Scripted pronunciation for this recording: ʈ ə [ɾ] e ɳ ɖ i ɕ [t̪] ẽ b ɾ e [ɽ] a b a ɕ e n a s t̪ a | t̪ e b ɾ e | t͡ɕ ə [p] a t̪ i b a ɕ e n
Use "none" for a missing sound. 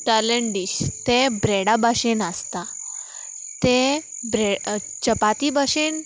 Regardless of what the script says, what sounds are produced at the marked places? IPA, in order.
l, t̪, ɽ, p

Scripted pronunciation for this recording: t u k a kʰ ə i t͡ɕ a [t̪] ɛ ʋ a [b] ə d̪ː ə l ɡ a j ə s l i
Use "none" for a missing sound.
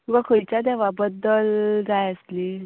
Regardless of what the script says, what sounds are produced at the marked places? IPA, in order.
d̪, b

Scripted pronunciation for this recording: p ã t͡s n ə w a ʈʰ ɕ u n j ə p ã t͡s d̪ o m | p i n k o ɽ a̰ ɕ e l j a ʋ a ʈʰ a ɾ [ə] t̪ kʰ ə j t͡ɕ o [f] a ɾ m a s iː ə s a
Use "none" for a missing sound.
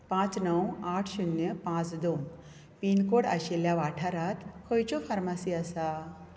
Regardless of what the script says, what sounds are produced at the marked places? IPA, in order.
a, f

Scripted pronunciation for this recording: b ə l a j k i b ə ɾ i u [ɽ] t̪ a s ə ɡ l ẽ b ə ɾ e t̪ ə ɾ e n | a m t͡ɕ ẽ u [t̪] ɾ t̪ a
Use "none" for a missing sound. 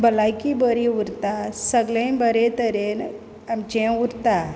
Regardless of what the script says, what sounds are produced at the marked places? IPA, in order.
ɾ, none

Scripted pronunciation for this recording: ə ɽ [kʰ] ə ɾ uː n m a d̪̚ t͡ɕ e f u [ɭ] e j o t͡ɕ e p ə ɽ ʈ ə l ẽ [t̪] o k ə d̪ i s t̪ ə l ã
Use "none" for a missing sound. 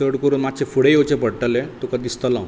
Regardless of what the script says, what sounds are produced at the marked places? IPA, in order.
k, ɽ, t̪

